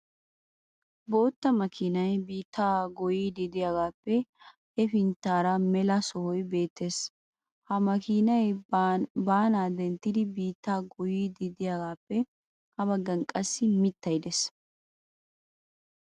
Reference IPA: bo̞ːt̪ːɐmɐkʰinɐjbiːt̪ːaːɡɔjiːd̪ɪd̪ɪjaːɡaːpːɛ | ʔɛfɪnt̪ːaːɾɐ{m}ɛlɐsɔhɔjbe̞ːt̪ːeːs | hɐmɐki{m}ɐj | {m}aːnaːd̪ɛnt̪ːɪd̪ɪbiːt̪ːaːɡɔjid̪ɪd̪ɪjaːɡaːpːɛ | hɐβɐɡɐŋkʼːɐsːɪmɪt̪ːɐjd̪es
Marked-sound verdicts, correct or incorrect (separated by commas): correct, incorrect, incorrect